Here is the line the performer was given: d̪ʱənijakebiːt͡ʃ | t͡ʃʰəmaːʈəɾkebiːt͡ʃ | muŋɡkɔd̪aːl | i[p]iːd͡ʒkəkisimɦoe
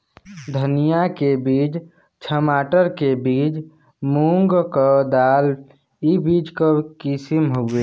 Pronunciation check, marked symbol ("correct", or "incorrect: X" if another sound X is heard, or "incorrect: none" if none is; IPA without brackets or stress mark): incorrect: b